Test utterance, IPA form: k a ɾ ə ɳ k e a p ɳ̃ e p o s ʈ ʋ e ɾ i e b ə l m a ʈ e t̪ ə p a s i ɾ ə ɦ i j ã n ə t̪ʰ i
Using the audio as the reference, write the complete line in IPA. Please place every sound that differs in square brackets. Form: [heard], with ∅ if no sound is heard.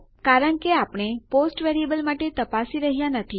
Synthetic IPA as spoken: k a ɾ ə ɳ k e a p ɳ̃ e p o s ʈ ʋ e ɾ i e b ə l m a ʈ e t̪ ə p a s i ɾ ə ɦ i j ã n ə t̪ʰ i